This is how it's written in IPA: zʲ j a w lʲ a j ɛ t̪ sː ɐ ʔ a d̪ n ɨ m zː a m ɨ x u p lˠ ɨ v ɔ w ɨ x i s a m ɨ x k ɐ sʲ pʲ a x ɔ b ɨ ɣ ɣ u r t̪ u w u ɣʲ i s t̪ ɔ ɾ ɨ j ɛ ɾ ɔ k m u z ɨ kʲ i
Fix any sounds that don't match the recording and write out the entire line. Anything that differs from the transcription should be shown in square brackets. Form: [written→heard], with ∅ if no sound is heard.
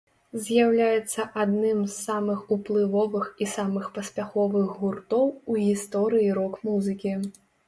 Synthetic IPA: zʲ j a w lʲ a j ɛ t̪ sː ɐ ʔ a d̪ n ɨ m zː a m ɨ x u p lˠ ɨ v ɔ [w→v] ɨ x i s a m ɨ x [k→p] ɐ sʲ pʲ a x ɔ [b→v] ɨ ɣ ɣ u r t̪ [u→ɔ] w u ɣʲ i s t̪ ɔ ɾ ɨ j [ɛ→i] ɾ ɔ k m u z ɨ kʲ i

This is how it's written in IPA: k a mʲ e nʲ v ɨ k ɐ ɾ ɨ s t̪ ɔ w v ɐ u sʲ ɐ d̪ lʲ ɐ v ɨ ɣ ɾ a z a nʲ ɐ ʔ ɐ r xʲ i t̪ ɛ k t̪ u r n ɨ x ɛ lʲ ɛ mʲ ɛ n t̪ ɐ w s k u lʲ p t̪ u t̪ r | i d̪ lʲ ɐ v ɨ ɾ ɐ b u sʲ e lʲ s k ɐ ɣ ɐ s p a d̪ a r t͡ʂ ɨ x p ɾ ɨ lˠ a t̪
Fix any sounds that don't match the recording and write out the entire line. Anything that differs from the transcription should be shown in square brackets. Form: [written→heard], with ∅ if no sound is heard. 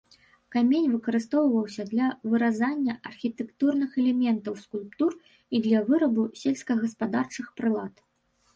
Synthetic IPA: k a mʲ e nʲ v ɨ k ɐ ɾ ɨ s t̪ ɔ w v ɐ [u→w] sʲ ɐ d̪ lʲ ɐ v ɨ [ɣ→∅] ɾ a z a [nʲ→nʲː] ɐ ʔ ɐ r xʲ i t̪ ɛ k t̪ u r n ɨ x ɛ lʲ ɛ mʲ ɛ n t̪ ɐ w s k u lʲ p t̪ u [t̪→∅] r | i d̪ lʲ ɐ v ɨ ɾ ɐ b u sʲ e lʲ s k ɐ ɣ ɐ s p a d̪ a r t͡ʂ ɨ x p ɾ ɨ lˠ a t̪

